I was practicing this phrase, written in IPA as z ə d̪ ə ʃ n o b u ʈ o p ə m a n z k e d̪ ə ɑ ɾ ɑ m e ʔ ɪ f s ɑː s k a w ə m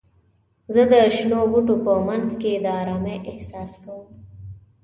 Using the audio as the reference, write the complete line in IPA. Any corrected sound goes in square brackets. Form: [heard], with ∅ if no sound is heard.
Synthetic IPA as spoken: z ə d̪ ə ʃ n o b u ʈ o p ə m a n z k e d̪ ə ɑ ɾ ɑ m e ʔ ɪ [h] s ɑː s k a w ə m